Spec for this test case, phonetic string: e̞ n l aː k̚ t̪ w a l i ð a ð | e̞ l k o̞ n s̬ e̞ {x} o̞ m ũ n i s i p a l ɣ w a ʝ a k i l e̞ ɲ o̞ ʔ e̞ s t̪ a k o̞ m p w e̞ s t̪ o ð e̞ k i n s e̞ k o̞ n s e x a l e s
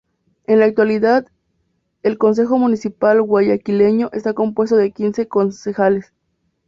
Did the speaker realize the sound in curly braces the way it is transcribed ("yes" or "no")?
yes